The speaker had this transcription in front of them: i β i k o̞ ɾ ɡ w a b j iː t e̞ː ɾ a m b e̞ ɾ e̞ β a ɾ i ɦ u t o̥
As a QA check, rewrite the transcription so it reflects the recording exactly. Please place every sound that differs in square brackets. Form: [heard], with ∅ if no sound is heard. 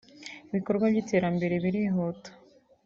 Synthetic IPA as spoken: i β i k o̞ ɾ ɡ w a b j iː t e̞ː ɾ a m b e̞ ɾ e̞ β [i] ɾ i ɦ [o] t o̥